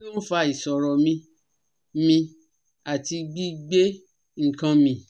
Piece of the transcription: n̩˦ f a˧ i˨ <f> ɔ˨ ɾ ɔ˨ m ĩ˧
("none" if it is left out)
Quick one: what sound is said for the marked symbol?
s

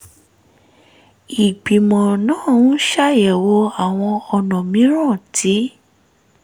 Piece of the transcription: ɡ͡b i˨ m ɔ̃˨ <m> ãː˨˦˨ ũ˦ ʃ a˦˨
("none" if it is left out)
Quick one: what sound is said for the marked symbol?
n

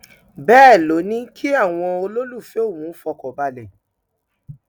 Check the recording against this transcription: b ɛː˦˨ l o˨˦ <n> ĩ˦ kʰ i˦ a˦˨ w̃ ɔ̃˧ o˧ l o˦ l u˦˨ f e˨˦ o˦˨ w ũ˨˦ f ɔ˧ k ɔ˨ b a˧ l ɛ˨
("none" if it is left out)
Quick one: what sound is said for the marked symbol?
n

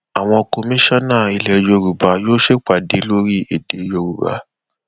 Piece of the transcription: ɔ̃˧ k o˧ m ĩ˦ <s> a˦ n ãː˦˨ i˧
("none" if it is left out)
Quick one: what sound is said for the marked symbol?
ʃ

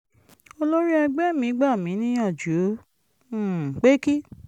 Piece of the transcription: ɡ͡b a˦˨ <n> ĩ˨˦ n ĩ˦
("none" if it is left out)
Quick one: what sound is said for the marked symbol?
m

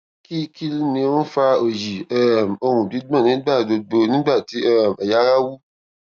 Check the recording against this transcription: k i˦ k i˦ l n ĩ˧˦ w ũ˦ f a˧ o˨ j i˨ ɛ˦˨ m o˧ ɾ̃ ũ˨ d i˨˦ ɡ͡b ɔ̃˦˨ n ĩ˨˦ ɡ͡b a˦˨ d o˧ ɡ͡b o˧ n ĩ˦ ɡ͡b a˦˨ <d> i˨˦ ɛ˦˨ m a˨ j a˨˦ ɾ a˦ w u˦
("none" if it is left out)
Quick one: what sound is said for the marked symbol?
t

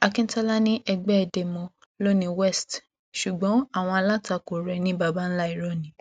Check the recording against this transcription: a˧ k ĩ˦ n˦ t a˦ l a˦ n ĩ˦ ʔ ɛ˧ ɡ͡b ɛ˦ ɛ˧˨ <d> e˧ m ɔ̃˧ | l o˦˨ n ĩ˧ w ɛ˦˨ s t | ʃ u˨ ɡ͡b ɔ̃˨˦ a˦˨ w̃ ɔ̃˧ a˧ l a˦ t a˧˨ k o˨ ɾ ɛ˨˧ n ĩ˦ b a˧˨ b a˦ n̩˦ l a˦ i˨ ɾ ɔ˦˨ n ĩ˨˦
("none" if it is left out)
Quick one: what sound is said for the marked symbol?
d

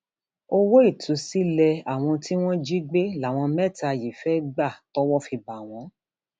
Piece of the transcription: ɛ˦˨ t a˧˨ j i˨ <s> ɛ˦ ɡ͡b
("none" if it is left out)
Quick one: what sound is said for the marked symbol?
f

